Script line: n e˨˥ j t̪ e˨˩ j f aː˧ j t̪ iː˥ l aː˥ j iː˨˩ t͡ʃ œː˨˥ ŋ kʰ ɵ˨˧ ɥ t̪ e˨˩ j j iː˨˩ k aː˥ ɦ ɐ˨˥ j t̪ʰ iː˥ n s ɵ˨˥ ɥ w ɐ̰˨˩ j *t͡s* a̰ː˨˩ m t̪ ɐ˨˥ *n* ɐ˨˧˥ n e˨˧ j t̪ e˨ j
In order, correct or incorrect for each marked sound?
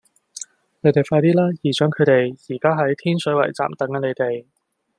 correct, incorrect

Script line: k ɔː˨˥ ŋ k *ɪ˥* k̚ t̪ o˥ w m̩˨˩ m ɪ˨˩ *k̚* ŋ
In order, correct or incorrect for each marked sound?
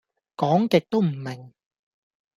incorrect, incorrect

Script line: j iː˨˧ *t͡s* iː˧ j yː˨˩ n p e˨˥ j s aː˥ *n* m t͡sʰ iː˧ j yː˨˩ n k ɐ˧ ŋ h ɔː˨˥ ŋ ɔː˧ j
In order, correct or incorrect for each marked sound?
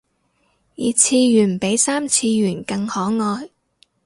incorrect, incorrect

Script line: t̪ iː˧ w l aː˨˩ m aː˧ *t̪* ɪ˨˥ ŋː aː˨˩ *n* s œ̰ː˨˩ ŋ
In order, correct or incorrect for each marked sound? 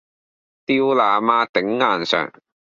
correct, correct

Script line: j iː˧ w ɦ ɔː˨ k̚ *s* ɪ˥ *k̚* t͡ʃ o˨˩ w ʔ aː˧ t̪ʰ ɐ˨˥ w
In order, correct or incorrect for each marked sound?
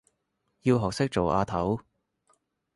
correct, correct

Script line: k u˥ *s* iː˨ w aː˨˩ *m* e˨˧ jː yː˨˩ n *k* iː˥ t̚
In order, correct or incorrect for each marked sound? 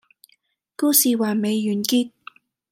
correct, correct, correct

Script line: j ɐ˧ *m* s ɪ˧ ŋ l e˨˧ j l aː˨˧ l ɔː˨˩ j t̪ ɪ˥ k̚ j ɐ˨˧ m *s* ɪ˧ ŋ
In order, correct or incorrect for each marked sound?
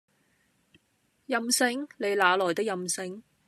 correct, correct

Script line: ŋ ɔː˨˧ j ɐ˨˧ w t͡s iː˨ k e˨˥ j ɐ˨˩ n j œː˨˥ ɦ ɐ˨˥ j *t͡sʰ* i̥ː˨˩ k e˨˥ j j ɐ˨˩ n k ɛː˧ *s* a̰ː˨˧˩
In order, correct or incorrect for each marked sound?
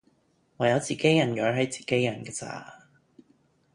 incorrect, incorrect

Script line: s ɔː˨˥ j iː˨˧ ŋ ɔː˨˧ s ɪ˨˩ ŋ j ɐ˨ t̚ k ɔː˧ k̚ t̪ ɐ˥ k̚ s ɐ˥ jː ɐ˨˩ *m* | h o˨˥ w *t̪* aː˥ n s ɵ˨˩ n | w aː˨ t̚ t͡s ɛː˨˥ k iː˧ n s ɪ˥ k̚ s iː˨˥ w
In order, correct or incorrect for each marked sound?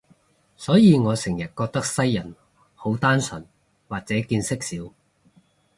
incorrect, correct

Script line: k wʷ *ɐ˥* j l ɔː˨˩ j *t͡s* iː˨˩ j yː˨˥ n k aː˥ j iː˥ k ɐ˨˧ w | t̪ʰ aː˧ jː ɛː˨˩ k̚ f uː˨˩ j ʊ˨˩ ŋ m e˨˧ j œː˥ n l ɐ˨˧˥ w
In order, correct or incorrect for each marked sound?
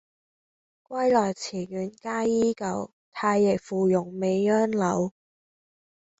correct, incorrect

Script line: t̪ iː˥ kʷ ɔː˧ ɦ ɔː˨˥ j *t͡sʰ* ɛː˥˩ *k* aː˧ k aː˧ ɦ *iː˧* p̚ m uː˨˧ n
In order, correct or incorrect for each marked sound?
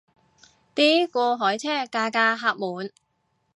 correct, correct, incorrect

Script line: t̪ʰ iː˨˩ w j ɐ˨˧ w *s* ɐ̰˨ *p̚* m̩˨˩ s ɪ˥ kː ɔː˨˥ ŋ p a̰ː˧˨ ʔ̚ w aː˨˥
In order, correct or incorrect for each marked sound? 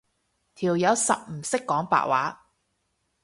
correct, correct

